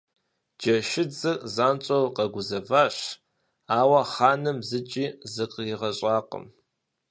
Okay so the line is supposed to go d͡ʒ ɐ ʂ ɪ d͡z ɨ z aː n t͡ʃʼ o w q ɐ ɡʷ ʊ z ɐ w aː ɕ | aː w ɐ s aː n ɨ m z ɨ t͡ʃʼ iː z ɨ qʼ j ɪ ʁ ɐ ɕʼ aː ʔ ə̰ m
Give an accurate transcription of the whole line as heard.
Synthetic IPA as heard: d͡ʒ ɐ ʃ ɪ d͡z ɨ z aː n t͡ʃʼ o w q ɐ ɡʷ ʊ z ɐ v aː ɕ | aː w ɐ χ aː n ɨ m z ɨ t͡ʃʼ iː z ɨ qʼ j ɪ ʁ ɐ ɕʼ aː q ə̰ m